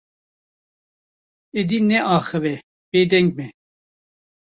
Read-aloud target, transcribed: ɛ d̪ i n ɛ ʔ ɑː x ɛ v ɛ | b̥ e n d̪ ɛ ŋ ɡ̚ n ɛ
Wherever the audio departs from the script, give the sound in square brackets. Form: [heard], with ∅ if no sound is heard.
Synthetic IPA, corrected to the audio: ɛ d̪ i n ɛ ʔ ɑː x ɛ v ɛ | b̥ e [∅] d̪ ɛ ŋ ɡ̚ [m] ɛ